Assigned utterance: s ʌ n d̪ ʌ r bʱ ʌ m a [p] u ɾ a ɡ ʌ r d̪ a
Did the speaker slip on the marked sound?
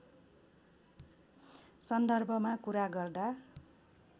yes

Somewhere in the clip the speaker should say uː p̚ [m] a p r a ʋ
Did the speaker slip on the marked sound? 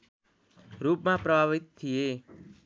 no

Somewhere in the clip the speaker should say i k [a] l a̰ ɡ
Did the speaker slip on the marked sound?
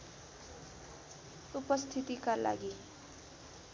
no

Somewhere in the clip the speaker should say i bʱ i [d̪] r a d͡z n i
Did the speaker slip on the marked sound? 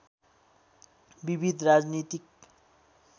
no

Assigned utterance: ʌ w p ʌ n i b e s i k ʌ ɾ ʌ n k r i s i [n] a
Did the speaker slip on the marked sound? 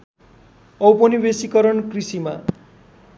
yes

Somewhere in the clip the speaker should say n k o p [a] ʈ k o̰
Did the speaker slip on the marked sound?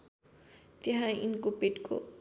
yes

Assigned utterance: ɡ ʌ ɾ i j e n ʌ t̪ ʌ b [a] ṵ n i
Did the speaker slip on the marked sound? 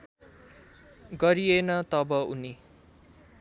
yes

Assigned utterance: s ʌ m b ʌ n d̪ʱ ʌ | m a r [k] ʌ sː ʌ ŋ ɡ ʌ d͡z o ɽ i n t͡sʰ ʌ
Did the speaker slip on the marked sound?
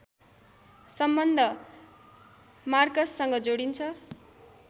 no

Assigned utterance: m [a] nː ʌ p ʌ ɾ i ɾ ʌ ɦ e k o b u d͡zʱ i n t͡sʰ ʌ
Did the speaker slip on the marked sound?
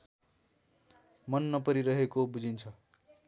yes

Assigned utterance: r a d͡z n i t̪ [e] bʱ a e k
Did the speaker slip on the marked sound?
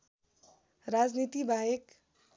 yes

